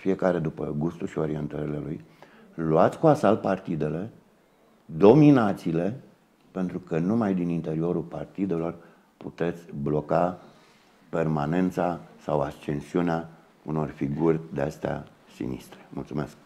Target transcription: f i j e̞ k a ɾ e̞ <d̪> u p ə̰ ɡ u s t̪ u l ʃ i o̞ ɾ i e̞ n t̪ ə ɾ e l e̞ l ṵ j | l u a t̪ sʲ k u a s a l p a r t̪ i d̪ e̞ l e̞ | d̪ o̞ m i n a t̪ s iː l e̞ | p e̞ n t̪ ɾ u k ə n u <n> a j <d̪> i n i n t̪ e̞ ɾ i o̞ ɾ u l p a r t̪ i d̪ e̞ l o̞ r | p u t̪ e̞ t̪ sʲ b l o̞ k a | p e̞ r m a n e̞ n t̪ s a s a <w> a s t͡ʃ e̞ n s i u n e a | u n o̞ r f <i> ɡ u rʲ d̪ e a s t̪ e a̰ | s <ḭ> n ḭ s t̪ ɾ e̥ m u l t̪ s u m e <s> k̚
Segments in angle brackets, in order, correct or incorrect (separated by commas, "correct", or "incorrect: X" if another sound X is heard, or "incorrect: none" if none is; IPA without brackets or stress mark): correct, incorrect: m, correct, correct, correct, correct, correct